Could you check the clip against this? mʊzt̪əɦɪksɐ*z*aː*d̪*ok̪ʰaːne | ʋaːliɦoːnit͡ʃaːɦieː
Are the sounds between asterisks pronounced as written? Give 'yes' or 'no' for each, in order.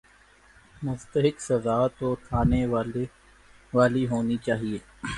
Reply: yes, no

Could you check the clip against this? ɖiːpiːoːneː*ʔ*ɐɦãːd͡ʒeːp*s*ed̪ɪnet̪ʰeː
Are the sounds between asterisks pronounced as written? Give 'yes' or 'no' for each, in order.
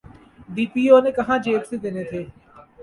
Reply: no, yes

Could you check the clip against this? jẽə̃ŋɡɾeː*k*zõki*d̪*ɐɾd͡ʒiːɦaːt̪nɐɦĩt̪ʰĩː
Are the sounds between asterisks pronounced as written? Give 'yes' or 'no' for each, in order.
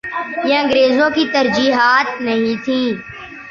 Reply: no, no

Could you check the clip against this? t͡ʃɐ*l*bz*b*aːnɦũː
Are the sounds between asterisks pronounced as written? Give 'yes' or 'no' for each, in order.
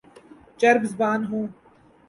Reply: no, yes

